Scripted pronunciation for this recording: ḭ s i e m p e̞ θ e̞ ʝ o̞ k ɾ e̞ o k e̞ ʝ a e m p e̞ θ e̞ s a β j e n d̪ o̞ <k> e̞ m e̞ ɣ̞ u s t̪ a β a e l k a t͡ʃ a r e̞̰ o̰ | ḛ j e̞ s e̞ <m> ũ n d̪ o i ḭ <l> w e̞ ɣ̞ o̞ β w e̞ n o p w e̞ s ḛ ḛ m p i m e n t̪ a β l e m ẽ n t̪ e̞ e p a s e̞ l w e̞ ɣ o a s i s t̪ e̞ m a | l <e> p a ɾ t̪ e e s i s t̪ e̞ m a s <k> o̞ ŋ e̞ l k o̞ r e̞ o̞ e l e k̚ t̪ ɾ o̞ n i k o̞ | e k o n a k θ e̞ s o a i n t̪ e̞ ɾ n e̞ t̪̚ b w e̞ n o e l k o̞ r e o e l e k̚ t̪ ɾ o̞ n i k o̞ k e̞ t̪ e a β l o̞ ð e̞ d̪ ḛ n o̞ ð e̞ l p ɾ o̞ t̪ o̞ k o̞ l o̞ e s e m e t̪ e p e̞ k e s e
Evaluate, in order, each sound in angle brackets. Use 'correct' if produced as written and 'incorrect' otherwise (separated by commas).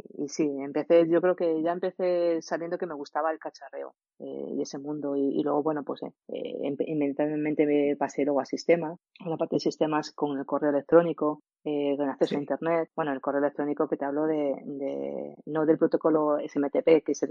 correct, correct, correct, incorrect, correct